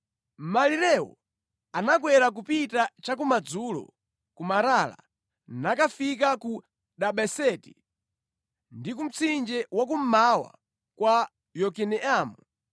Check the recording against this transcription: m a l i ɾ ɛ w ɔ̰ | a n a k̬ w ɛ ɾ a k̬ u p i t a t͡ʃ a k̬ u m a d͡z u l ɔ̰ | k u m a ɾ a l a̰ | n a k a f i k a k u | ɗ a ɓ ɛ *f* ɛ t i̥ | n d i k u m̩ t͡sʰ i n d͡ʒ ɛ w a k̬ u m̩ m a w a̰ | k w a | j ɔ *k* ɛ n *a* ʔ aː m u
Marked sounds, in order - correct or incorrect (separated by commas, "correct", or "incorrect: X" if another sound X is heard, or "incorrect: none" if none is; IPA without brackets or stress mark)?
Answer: incorrect: s, correct, incorrect: ɛ